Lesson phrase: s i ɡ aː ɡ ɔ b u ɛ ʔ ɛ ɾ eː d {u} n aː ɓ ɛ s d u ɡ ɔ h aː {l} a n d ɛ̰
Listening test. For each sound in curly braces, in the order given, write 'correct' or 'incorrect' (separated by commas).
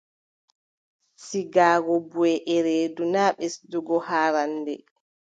correct, incorrect